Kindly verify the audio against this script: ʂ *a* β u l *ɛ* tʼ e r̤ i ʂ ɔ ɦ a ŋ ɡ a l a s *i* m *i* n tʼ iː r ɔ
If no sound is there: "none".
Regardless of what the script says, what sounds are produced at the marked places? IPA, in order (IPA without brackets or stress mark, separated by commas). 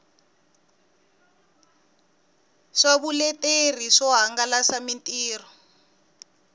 a, ɛ, a, i